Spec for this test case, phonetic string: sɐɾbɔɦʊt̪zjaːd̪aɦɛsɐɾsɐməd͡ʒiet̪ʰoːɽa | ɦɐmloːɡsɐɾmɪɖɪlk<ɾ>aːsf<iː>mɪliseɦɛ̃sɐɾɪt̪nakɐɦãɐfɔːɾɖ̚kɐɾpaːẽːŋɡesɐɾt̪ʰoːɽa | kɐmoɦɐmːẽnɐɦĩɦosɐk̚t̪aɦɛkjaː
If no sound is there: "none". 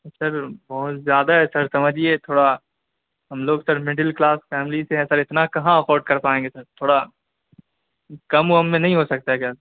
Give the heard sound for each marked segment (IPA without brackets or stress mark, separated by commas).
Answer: l, ɛː